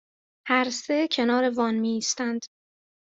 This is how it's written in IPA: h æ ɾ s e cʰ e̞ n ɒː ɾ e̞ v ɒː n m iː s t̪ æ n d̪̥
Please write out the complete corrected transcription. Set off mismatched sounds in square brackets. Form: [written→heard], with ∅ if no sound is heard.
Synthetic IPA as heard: h æ ɾ s e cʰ e̞ n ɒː ɾ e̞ v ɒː n m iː s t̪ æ n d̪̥